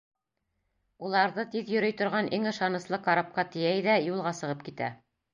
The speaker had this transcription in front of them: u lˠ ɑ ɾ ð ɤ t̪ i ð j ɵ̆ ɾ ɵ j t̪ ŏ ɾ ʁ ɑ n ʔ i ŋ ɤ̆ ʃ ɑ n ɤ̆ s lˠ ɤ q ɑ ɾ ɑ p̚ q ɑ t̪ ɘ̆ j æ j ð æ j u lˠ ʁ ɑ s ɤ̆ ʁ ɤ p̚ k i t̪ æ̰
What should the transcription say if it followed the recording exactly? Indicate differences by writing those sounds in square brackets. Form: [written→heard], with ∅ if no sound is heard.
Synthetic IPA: u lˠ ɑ ɾ ð ɤ t̪ i ð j ɵ̆ ɾ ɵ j t̪ ŏ ɾ ʁ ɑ n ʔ i ŋ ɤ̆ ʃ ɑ n ɤ̆ s lˠ ɤ q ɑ ɾ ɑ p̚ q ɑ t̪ ɘ̆ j æ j ð æ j u lˠ ʁ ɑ s ɤ̆ ʁ ɤ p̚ k i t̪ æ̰

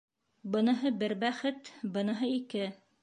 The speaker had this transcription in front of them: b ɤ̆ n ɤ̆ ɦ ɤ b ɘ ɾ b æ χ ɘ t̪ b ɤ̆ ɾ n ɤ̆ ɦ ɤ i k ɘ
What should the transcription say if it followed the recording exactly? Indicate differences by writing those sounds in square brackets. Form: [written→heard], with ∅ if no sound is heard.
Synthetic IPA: b ɤ̆ n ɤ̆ ɦ ɤ b ɘ ɾ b æ χ ɘ t̪ b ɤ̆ [ɾ→∅] n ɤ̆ ɦ ɤ i k ɘ

